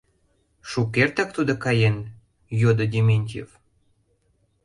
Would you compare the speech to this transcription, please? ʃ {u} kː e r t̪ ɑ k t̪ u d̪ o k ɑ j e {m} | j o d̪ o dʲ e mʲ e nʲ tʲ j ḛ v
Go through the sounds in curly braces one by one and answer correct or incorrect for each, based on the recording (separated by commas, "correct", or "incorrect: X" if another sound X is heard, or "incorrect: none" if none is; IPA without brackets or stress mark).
correct, incorrect: n